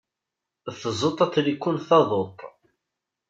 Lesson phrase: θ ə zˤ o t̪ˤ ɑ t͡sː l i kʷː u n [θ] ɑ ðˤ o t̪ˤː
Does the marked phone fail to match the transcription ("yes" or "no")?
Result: no